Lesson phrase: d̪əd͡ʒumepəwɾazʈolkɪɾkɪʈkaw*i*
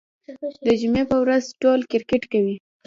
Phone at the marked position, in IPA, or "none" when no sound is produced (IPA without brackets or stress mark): i